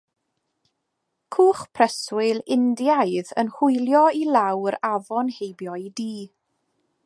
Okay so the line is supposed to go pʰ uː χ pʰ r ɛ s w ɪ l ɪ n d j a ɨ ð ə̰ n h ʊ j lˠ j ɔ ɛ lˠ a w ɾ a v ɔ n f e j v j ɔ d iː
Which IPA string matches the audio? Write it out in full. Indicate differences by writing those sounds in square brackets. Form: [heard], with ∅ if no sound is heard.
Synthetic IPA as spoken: [kʰ] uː χ pʰ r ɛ s w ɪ l ɪ n d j a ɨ ð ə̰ n h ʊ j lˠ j ɔ [i] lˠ a w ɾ a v ɔ n [h] e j [b] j ɔ d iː